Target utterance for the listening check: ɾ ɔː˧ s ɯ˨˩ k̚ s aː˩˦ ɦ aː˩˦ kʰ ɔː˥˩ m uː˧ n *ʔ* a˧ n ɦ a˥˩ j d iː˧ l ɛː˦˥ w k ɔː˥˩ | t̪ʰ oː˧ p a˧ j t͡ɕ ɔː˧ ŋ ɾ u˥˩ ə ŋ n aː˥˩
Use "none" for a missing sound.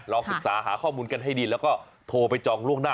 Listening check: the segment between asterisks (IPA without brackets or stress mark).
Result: k